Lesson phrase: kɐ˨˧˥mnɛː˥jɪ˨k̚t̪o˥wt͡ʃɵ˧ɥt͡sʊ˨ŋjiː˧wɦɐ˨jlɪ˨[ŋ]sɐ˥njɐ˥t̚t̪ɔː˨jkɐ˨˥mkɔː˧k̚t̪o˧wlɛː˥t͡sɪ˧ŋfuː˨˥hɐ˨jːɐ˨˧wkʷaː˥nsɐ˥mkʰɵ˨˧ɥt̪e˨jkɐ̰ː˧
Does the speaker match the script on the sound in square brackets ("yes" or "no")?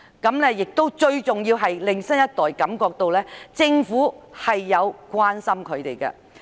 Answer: yes